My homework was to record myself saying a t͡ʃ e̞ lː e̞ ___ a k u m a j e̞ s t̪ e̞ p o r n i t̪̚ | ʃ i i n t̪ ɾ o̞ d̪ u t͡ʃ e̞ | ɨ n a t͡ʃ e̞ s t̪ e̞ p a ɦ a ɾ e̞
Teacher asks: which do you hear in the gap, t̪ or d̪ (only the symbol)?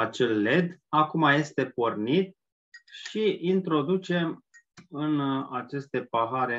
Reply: d̪